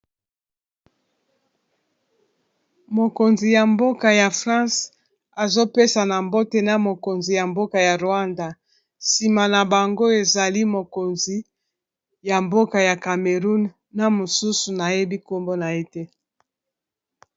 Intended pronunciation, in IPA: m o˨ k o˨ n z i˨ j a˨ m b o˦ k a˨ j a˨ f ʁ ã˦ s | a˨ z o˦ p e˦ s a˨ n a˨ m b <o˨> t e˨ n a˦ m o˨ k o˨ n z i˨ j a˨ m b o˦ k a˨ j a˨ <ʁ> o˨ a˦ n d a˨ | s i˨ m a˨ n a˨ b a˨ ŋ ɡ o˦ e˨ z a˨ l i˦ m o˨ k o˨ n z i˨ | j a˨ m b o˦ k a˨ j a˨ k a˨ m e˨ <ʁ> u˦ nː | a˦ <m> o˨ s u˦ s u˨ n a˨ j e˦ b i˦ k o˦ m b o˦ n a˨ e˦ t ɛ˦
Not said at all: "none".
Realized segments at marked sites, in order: o˦, ʁ, ʁ, m

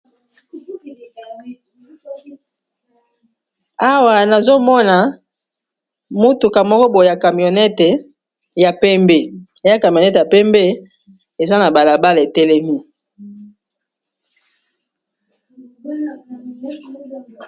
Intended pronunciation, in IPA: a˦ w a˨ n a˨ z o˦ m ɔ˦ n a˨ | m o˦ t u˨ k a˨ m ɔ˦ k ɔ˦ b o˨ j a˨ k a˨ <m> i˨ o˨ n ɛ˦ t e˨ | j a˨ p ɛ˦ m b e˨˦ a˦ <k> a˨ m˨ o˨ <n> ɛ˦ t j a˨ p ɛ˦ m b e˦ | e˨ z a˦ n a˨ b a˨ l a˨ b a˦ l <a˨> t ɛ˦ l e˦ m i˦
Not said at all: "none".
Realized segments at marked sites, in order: m, k, n, e˨

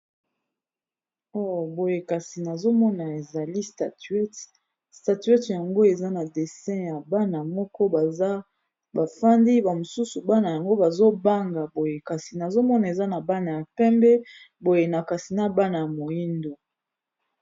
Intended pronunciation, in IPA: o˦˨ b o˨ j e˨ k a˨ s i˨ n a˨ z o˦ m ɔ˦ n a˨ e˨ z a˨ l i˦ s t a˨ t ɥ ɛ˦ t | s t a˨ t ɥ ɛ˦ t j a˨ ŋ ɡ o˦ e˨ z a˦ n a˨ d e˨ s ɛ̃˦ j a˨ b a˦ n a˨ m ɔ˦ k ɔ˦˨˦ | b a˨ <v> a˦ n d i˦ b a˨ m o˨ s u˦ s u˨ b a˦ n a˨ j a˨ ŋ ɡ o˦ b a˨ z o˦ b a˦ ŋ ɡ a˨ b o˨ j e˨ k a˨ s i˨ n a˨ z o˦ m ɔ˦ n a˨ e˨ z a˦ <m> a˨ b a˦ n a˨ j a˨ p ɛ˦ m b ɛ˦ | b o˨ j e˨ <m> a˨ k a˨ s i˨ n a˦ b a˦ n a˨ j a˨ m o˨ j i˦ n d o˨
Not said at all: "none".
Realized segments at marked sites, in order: f, n, n

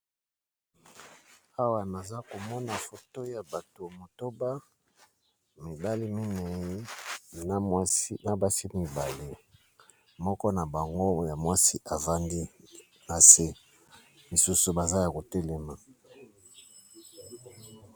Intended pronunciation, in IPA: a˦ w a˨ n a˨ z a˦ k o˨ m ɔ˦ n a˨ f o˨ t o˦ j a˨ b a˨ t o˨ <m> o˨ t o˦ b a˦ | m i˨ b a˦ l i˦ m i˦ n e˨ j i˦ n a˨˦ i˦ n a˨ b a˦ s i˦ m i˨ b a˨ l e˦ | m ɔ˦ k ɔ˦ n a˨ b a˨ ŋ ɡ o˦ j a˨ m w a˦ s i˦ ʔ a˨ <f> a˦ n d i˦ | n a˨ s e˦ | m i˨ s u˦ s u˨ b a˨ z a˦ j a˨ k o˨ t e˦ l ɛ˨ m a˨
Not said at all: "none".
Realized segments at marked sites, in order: m, v

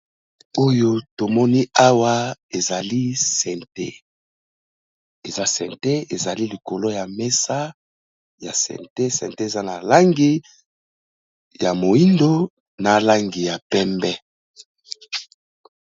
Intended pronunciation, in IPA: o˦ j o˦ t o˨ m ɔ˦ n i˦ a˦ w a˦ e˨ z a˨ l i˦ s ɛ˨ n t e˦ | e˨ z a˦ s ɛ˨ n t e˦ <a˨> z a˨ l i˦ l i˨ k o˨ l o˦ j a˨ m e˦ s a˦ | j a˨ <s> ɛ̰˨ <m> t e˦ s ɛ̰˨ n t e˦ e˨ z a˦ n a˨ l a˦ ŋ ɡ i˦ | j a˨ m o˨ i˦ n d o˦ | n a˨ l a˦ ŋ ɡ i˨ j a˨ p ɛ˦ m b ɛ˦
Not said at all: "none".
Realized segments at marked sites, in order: e˨, s, n

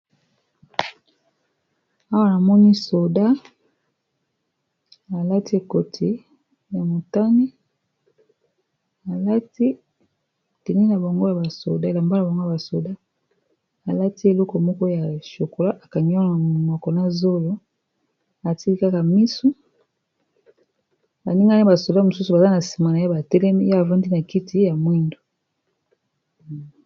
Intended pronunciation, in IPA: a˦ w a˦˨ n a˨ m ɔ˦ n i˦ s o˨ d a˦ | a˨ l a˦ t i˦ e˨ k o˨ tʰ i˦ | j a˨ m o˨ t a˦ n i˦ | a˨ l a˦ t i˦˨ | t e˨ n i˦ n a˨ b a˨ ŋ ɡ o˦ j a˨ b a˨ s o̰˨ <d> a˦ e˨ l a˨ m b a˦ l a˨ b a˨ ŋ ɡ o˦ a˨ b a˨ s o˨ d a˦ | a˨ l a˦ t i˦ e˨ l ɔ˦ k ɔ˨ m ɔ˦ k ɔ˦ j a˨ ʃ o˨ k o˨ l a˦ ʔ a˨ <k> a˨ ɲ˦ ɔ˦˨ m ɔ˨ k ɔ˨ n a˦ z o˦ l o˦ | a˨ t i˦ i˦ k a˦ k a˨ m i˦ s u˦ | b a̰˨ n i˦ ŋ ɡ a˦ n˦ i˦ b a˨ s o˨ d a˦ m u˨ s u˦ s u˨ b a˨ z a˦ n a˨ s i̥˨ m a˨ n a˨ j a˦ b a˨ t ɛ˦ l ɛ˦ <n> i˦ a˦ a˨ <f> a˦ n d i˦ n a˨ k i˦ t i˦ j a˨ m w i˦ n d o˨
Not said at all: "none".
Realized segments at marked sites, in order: d, k, m, v

